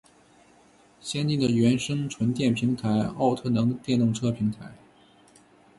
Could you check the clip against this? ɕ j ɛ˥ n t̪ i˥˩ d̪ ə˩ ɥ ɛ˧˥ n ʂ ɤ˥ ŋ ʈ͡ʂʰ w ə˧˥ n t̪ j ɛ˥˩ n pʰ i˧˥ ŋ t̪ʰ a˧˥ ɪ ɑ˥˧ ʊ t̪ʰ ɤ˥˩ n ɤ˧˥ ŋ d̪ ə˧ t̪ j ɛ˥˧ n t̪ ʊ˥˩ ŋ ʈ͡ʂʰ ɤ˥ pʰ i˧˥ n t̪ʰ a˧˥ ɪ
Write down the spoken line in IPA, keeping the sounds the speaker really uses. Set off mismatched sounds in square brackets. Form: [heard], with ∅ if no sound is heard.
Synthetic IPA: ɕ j ɛ˥ n t̪ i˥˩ d̪ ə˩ ɥ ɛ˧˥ n ʂ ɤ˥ ŋ ʈ͡ʂʰ w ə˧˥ n t̪ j ɛ˥˩ n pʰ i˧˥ ŋ t̪ʰ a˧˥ ɪ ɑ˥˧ ʊ t̪ʰ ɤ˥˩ n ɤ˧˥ ŋ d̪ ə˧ t̪ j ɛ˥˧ n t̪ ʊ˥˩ ŋ ʈ͡ʂʰ ɤ˥ pʰ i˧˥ [ŋ] t̪ʰ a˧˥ ɪ

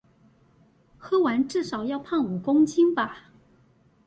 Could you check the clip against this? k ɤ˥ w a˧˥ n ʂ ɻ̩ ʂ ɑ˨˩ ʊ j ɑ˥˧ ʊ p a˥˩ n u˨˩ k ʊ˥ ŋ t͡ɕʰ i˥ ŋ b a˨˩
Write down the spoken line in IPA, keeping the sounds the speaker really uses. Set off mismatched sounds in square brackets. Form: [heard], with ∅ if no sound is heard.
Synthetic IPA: [x] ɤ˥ w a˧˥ n [ʈ͡ʂ] ɻ̩ ʂ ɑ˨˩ ʊ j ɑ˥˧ ʊ [pʰ] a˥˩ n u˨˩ k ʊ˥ ŋ t͡ɕʰ i˥ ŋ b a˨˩

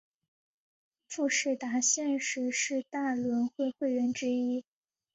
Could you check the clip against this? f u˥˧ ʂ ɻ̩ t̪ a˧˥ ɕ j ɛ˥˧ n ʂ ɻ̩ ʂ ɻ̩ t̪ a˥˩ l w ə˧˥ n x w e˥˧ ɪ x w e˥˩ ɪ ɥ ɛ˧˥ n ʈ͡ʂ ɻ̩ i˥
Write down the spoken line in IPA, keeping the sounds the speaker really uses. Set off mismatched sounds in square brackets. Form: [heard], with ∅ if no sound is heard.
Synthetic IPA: f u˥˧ ʂ ɻ̩ t̪ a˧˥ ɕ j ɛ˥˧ n ʂ ɻ̩ ʂ ɻ̩ t̪ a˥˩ l w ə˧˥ n x w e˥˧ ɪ x w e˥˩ ɪ ɥ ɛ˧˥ n ʈ͡ʂ ɻ̩ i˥

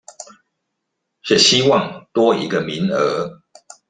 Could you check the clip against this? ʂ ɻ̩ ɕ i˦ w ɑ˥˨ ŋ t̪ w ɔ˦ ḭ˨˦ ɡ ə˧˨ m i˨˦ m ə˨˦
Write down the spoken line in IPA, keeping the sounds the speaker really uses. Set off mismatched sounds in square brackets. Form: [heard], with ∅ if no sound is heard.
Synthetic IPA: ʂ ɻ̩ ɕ i˦ w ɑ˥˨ ŋ t̪ w ɔ˦ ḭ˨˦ ɡ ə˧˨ m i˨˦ [n] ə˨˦

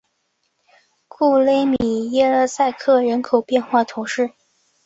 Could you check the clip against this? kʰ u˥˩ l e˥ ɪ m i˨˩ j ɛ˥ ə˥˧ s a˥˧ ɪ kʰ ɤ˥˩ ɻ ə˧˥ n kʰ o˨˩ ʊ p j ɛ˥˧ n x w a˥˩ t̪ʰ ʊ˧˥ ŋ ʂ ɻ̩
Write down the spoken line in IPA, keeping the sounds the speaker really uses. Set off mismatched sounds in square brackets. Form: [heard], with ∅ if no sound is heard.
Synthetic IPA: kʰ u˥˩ l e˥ ɪ m i˨˩ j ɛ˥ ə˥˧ s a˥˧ ɪ kʰ ɤ˥˩ ɻ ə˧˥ n kʰ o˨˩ ʊ p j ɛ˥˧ n x w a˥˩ t̪ʰ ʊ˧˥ ŋ ʂ ɻ̩

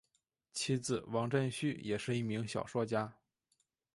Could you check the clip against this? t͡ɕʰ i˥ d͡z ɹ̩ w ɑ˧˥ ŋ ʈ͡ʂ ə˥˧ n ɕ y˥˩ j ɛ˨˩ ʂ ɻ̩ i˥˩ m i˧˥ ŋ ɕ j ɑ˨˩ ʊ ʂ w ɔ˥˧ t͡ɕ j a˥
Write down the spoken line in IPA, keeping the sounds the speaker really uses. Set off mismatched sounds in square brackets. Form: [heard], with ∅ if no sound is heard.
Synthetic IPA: t͡ɕʰ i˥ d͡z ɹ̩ w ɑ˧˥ ŋ ʈ͡ʂ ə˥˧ n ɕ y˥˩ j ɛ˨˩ ʂ ɻ̩ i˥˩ m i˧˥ ŋ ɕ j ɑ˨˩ ʊ ʂ w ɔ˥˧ t͡ɕ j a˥

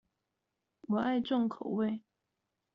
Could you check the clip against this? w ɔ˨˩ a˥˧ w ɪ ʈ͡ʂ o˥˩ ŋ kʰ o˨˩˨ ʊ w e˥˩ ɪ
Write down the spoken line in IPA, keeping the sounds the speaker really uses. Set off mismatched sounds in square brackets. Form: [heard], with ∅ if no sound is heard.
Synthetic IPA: w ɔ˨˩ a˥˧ [∅] ɪ ʈ͡ʂ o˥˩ ŋ kʰ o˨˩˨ ʊ w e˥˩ ɪ

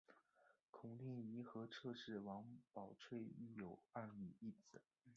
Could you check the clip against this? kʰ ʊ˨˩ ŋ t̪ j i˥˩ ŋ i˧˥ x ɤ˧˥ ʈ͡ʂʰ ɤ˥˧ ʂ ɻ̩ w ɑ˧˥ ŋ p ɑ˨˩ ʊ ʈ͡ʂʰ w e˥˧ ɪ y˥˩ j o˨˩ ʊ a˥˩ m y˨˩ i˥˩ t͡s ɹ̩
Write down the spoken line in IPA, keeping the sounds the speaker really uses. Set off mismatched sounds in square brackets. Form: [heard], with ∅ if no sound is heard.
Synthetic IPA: kʰ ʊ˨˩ ŋ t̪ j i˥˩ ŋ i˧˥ x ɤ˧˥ ʈ͡ʂʰ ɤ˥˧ ʂ ɻ̩ w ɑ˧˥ ŋ p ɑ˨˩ ʊ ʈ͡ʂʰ w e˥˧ ɪ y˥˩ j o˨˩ ʊ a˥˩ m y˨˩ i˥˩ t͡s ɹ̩

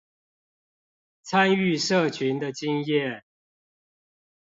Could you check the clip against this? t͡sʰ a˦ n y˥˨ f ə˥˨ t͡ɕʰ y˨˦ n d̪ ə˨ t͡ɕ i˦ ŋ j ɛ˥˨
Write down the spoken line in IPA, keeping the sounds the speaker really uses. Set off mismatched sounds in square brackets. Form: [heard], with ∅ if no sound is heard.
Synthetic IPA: t͡sʰ a˦ n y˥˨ [ʂ] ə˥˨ t͡ɕʰ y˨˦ n d̪ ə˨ t͡ɕ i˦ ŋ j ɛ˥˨

